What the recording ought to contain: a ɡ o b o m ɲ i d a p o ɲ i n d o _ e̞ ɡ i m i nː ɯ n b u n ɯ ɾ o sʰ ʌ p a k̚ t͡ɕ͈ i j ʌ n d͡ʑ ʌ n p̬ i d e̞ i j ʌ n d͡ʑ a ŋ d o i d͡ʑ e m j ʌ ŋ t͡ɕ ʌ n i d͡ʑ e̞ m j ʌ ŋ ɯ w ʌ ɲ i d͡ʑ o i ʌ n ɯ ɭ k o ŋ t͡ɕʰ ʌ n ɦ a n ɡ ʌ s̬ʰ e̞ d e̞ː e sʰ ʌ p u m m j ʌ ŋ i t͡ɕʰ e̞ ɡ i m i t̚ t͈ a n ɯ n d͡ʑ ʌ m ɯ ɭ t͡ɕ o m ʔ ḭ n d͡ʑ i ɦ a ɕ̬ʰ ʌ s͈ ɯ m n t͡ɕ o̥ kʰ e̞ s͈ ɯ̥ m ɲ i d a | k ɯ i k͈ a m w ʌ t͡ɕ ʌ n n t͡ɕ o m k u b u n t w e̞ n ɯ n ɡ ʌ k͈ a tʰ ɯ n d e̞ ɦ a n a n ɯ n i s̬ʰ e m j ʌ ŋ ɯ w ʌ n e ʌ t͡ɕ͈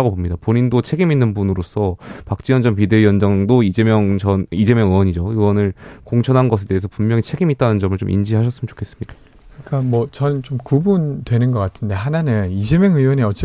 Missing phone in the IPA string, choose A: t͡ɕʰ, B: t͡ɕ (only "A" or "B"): A